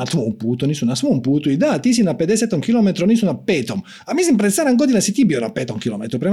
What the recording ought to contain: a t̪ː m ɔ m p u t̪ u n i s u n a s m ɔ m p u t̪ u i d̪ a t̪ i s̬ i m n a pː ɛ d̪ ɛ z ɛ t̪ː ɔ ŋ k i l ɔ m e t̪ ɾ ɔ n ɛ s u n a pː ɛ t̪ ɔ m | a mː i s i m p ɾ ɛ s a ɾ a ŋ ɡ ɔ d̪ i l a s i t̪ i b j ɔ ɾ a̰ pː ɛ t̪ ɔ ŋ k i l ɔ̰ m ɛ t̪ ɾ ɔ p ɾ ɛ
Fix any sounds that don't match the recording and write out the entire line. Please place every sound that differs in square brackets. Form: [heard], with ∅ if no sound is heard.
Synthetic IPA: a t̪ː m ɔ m p u t̪ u n i s u n a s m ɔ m p u t̪ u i d̪ a t̪ i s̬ i [∅] n a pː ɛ d̪ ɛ [s] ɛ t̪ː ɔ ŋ k i l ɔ m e t̪ ɾ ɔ n [i] s u n a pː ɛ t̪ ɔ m | a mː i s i m p ɾ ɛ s a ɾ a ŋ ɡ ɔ d̪ i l a s i t̪ i b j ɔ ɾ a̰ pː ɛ t̪ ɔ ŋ k i l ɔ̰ m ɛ t̪ ɾ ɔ p ɾ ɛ